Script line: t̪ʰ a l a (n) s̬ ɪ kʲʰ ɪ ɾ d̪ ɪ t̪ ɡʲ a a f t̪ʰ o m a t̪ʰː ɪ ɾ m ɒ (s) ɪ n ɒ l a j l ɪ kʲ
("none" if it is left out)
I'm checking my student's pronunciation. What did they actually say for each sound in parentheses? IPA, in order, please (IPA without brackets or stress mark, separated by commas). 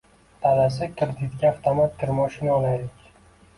none, ʃ